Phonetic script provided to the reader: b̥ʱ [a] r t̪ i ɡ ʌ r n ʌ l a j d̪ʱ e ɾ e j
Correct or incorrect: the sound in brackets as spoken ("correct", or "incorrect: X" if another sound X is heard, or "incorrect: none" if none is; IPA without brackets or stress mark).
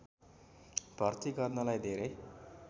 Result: incorrect: ʌ